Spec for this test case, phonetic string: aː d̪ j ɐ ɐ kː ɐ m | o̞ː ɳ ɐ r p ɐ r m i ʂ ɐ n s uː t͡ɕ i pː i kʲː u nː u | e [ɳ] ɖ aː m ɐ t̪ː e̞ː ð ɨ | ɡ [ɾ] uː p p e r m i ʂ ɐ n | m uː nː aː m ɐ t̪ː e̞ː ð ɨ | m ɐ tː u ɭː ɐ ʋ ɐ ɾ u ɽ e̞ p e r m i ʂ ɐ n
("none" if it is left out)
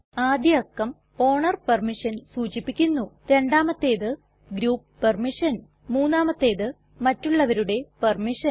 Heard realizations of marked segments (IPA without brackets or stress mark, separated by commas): ɳ, ɾ